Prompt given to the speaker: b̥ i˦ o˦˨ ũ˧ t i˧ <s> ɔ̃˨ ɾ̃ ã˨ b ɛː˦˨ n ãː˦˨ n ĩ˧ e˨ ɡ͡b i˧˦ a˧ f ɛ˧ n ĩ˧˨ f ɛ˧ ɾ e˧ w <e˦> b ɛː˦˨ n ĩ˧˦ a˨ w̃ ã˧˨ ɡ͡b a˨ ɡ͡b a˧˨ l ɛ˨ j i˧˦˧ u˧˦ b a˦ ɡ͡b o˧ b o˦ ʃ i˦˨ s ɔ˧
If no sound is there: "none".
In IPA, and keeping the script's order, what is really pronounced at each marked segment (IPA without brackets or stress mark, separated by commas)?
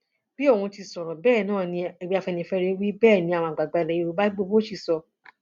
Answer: s, i˦